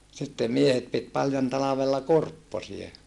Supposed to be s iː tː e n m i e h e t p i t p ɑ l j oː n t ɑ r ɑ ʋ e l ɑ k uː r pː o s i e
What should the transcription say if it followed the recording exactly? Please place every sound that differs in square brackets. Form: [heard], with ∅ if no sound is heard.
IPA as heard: s [i] tː e [m] m i e h e t p i t p ɑ l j [o] n t ɑ [l] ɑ ʋ e [lː] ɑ k [u] r pː o s i e